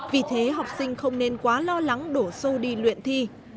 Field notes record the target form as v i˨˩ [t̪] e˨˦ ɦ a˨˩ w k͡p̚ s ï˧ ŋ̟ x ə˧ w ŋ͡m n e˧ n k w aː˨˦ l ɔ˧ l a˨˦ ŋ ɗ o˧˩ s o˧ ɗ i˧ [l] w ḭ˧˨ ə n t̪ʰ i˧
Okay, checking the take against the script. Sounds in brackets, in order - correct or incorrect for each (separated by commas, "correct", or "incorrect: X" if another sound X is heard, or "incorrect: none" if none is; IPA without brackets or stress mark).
incorrect: t̪ʰ, correct